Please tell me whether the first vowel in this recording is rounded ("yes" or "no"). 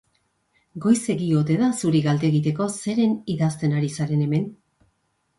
yes